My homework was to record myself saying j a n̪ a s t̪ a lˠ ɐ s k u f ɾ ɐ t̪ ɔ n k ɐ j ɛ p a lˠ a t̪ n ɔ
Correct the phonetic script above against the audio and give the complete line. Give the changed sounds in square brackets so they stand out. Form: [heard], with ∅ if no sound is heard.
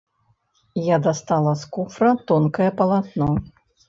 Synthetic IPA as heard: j a [d̪] a s t̪ a lˠ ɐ s k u f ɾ ɐ t̪ ɔ n k ɐ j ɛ p [ɐ] lˠ a t̪ n ɔ